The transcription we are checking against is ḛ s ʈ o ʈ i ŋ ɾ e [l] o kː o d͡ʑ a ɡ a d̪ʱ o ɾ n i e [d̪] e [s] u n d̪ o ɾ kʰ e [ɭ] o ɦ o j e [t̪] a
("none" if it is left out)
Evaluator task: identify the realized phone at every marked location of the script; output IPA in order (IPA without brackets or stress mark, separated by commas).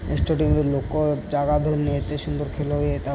l, t̪, ʃ, l, t̪